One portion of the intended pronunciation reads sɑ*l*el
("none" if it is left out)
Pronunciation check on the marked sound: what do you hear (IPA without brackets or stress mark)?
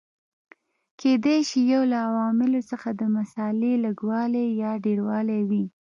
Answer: l